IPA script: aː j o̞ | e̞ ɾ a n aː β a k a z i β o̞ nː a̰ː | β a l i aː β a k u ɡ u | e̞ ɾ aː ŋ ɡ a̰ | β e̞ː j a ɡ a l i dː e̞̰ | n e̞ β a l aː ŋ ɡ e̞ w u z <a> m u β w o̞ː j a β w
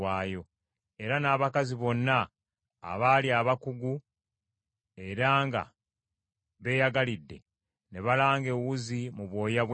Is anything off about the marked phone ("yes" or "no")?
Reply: yes